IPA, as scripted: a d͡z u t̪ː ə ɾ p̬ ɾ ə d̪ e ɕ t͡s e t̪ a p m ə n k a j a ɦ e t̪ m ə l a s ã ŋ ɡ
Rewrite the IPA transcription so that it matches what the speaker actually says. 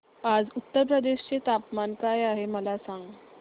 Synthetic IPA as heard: a d͡z u t̪ː ə ɾ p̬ ɾ ə d̪ e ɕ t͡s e t̪ a p m a n k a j a ɦ e m ə l a s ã ŋ ɡ